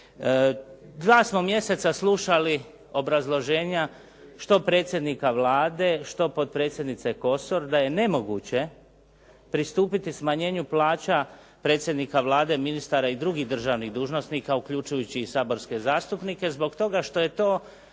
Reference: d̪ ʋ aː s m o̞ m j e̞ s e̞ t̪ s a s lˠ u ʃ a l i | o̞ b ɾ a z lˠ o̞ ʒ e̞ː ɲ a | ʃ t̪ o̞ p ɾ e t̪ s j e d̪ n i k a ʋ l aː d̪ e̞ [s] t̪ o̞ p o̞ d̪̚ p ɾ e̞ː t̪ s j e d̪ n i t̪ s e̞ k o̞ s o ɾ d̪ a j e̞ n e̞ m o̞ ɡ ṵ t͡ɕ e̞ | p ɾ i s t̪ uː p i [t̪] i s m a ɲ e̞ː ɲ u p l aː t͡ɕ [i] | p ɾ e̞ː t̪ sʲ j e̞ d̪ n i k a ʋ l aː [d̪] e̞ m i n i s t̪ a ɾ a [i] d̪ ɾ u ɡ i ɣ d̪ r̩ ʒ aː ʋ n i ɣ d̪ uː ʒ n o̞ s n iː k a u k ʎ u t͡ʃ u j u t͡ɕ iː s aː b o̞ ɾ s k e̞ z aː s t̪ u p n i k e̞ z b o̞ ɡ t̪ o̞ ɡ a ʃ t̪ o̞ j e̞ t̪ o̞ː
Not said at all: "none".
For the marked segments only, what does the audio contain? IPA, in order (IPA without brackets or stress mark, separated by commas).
ʃ, t̪, a, d̪, i